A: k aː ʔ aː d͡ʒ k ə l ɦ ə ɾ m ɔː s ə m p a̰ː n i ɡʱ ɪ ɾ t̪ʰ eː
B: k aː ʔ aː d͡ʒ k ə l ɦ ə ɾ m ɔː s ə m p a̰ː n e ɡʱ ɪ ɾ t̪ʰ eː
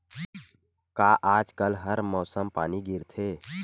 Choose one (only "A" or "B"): A